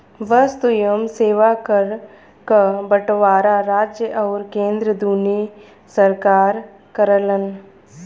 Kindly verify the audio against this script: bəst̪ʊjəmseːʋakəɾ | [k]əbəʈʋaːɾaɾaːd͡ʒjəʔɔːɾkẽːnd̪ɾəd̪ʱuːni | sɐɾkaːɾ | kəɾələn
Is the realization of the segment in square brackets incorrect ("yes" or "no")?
no